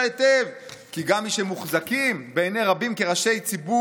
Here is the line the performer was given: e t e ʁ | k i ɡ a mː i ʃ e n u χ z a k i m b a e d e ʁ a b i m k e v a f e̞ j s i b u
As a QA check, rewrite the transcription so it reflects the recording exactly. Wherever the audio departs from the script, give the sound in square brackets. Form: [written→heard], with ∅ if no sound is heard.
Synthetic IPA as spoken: e t e [ʁ→v] | k i ɡ a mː i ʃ e [n→m] u χ z a k i m b [a→e] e [d→n] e ʁ a b i m k e [v→ʁ] a [f→ʃ] e̞ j [s→t͡s] i b u